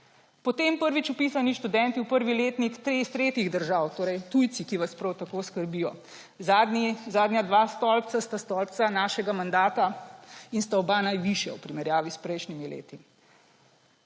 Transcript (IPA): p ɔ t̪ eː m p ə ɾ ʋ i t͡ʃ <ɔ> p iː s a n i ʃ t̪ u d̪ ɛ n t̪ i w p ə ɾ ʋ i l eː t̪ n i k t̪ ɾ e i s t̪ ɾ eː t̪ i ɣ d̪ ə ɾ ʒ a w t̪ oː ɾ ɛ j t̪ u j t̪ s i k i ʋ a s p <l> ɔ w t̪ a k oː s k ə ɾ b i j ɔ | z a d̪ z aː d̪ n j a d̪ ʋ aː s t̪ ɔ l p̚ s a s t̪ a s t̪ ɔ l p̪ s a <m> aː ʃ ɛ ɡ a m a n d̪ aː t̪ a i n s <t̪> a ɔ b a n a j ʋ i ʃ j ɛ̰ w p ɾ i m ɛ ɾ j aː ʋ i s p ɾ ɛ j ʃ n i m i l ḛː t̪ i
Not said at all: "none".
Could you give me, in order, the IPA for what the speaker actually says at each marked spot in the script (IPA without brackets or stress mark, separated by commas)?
u, ɾ, n, t̪